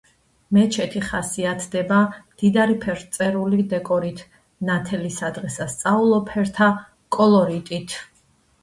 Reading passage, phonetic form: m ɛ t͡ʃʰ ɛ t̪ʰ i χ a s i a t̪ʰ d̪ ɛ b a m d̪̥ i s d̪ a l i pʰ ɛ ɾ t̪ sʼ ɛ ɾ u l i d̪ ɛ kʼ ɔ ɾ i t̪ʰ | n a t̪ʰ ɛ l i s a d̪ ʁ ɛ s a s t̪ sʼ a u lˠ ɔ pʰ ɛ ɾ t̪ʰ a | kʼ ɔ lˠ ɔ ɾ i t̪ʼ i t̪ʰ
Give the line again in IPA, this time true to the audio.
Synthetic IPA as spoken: m ɛ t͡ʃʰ ɛ t̪ʰ i χ a s i a t̪ʰ d̪ ɛ b a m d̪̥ i d̪ a ɾ i pʰ ɛ ɾ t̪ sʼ ɛ ɾ u l i d̪ ɛ kʼ ɔ ɾ i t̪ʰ | n a t̪ʰ ɛ l i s a d̪ ʁ ɛ s a s t̪ sʼ a u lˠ ɔ pʰ ɛ ɾ t̪ʰ a | kʼ ɔ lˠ ɔ ɾ i t̪ʼ i t̪ʰ